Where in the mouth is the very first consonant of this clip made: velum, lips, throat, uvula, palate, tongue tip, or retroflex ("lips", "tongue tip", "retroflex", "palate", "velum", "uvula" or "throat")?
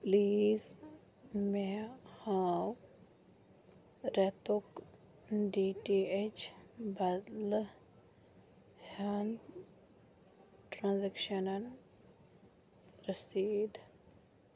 lips